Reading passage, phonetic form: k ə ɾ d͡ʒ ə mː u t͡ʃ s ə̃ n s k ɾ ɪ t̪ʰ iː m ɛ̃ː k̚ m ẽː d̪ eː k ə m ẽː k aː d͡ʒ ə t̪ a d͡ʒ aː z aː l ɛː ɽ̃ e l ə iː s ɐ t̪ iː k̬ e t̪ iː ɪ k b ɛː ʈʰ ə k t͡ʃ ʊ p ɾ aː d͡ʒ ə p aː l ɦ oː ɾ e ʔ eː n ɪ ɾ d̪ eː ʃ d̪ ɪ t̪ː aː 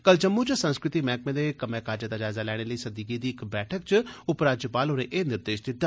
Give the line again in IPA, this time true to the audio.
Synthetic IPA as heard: k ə l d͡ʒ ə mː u t͡ʃ s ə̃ n s k ɾ ɪ t̪ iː m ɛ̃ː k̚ m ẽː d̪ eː k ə m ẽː k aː d͡ʒ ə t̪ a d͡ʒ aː z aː l ɛː ɽ̃ e l ə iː s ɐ d̪ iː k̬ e d̪ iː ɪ k b ɛː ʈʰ ə k t͡ʃ ʊ p ɾ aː d͡ʒ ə p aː l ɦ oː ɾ e ʔ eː n ɪ ɾ d̪ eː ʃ d̪ ɪ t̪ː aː